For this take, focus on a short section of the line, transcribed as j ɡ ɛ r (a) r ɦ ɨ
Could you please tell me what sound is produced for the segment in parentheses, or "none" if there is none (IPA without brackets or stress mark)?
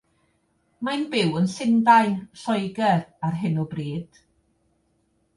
a